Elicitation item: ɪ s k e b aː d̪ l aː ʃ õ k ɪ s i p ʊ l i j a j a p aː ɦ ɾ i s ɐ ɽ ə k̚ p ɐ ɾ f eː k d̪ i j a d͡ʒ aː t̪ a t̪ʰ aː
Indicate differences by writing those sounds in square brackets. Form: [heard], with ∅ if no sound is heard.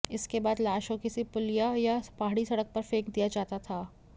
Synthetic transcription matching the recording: ɪ s k e b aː d̪ l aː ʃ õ k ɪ s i p ʊ l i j a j a p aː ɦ [ɽ] i s ɐ ɽ ə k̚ p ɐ ɾ f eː k d̪ i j a d͡ʒ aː t̪ a t̪ʰ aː